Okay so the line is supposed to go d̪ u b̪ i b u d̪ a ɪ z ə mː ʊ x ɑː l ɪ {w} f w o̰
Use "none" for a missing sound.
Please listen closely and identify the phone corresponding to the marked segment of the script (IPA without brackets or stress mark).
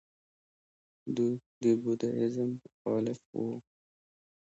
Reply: none